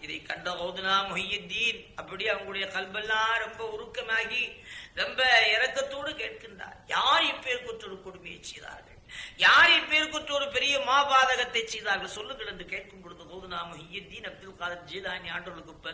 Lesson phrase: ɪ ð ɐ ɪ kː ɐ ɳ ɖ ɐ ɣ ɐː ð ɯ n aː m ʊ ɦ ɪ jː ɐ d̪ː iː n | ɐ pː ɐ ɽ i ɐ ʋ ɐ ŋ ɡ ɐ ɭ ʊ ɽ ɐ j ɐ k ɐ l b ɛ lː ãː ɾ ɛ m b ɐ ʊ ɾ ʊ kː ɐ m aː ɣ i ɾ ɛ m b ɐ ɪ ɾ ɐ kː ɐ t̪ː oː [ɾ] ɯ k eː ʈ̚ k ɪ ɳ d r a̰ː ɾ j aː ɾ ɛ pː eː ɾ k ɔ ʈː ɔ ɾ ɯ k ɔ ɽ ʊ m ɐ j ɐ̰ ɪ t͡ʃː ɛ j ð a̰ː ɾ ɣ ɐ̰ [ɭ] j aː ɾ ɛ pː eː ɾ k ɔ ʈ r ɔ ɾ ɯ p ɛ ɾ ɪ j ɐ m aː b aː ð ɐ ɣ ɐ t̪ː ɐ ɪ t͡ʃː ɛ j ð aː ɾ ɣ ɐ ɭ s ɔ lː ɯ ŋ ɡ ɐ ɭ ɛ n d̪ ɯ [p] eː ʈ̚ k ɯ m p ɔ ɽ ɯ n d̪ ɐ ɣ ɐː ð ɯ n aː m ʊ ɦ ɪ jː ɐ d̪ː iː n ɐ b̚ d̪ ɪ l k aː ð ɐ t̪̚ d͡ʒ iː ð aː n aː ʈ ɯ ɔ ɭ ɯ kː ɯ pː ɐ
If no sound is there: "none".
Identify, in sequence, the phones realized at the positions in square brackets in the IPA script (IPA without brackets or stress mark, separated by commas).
ɽ, ɭ, k